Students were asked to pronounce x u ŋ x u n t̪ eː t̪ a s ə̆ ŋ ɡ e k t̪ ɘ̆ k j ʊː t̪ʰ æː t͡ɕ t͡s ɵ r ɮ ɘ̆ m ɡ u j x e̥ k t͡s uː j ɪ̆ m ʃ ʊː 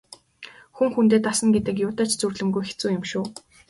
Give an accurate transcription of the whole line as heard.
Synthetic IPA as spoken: x u ŋ x u n t̪ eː t̪ a s ə̆ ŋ ɡ e t̪ ɘ̆ k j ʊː t̪ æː t͡ɕ t͡s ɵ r ɮ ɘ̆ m ɡ u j x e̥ t͡s uː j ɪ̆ m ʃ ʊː